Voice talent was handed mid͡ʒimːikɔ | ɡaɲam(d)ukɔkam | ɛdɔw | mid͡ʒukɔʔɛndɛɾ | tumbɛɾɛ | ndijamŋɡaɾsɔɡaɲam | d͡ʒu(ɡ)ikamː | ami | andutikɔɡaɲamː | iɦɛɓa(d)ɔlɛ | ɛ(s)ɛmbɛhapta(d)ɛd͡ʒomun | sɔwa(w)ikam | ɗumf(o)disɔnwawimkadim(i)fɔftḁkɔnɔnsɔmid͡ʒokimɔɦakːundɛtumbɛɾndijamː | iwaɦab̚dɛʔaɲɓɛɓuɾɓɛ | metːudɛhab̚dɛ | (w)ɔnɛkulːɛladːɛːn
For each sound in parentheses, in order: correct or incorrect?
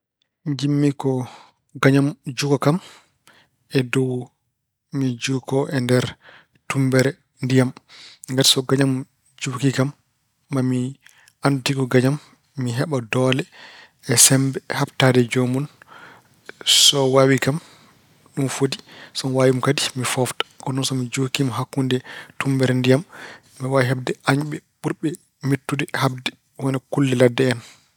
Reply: incorrect, incorrect, correct, correct, correct, correct, correct, correct, correct

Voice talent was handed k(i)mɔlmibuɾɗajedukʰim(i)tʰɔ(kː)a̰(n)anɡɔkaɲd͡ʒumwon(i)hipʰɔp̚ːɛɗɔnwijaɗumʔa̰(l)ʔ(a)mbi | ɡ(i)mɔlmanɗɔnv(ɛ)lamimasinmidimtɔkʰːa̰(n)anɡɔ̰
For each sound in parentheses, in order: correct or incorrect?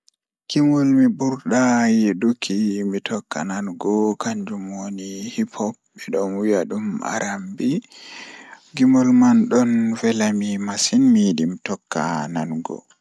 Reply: correct, correct, correct, correct, correct, incorrect, correct, correct, correct, correct

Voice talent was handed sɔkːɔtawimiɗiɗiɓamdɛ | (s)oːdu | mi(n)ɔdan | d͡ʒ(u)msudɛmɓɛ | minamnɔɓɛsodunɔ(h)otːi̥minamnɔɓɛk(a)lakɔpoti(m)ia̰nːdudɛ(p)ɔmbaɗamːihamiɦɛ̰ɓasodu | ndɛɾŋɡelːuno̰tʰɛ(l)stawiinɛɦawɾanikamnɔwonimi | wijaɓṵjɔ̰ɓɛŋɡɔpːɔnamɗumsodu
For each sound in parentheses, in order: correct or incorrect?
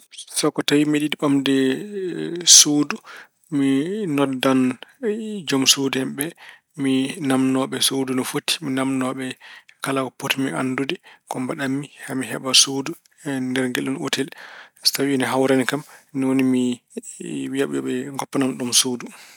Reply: correct, correct, incorrect, incorrect, correct, correct, incorrect, correct

